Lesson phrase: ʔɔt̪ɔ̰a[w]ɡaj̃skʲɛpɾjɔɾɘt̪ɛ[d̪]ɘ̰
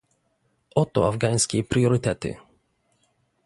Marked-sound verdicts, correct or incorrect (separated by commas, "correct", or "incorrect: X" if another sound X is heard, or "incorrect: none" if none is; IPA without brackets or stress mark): incorrect: v, incorrect: t̪